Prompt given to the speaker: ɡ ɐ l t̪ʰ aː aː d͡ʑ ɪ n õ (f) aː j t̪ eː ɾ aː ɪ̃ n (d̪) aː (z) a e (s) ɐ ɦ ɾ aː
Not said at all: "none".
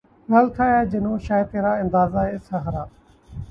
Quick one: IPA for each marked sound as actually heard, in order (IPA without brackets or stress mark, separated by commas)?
ʃ, d̪, z, s